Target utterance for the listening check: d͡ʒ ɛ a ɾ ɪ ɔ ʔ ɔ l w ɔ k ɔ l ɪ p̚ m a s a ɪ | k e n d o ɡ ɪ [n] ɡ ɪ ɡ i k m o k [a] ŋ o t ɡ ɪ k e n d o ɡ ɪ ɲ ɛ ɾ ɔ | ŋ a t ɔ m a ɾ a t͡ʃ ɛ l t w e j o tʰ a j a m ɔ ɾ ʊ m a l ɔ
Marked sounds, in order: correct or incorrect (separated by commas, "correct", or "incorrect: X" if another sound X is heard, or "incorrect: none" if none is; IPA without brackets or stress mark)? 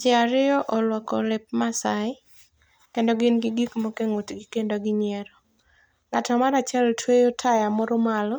correct, incorrect: e